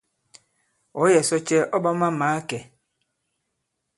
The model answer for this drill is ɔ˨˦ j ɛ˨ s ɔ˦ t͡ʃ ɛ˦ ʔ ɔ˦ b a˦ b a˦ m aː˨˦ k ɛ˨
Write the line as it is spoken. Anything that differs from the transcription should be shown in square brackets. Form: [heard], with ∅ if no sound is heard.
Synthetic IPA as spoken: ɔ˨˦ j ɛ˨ s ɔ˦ t͡ʃ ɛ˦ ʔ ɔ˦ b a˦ [m] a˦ m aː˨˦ k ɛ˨